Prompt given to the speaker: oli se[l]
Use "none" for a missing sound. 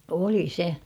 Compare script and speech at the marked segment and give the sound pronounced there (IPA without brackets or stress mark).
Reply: none